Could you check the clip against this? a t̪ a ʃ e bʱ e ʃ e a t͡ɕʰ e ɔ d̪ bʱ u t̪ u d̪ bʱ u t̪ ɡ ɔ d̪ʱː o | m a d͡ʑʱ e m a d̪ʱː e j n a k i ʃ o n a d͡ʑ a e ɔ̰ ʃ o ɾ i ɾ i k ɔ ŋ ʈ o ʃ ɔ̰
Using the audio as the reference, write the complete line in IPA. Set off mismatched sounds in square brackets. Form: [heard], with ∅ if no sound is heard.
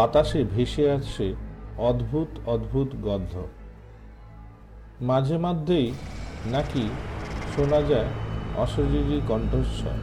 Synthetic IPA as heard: a t̪ a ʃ e bʱ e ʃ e a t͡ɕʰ e ɔ d̪ bʱ u t̪ [ɔ] d̪ bʱ u t̪ ɡ ɔ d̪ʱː o | m a d͡ʑʱ e m a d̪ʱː e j n a k i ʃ o n a d͡ʑ a e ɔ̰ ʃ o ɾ i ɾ i k ɔ [ɳ] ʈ o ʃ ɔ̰